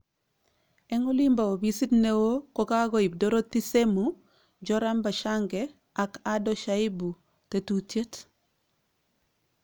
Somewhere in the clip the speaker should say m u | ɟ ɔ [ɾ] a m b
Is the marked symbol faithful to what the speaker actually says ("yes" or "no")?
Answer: yes